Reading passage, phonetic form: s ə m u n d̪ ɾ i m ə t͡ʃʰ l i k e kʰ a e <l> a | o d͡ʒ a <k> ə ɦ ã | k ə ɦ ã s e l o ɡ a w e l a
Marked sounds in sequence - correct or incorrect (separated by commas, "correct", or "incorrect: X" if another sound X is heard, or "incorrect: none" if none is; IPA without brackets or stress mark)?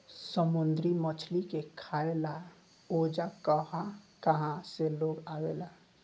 correct, correct